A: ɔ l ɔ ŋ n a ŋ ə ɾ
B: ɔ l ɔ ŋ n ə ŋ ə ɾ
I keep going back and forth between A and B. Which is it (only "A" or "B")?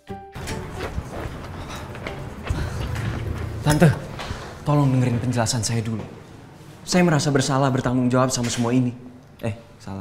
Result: B